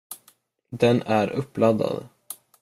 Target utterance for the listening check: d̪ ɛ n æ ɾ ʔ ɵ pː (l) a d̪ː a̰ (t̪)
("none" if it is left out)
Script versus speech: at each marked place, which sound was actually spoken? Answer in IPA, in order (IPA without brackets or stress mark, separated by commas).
l, d̪